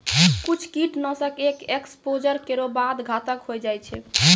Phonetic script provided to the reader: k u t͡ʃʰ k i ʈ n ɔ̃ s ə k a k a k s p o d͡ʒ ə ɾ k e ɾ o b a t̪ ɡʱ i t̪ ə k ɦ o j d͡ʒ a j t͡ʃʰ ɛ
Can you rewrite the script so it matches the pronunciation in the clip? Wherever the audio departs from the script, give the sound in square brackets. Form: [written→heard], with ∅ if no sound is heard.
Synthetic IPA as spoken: k u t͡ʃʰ k i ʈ n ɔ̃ s ə k [a→e] k [a→e] k s p o d͡ʒ ə ɾ k e ɾ o b a [t̪→d̪] ɡʱ [i→a] t̪ ə k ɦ o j d͡ʒ a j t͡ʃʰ ɛ